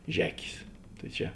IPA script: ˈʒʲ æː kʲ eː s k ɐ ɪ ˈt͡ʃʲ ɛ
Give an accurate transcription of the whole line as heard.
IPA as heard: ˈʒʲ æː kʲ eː s t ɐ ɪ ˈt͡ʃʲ ɛ